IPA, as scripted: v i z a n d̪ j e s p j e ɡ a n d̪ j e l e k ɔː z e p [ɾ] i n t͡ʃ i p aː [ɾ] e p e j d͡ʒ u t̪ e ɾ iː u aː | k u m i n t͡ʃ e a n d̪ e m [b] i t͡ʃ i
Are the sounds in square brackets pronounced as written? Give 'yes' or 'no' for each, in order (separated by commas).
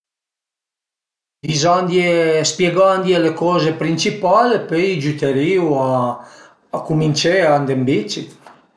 yes, no, yes